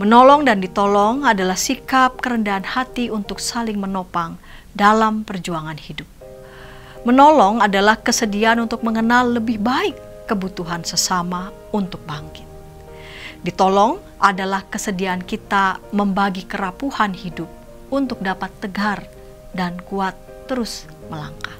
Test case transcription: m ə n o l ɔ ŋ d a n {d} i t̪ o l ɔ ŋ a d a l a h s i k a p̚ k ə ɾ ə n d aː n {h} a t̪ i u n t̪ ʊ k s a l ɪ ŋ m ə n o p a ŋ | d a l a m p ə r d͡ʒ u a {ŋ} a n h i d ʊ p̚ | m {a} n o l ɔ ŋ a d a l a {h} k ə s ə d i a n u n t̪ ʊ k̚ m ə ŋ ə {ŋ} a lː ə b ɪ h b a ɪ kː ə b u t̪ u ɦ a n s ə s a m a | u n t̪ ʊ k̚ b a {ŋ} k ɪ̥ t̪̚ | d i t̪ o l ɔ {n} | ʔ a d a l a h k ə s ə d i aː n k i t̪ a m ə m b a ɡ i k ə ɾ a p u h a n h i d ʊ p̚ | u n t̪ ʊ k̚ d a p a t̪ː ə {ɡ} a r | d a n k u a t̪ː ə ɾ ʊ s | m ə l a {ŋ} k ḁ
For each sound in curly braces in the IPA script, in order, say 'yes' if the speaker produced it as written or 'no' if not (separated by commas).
yes, yes, yes, no, yes, no, yes, no, yes, yes